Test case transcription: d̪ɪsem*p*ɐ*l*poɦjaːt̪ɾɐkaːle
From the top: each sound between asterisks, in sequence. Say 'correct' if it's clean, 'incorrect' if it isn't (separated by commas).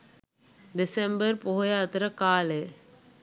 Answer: incorrect, incorrect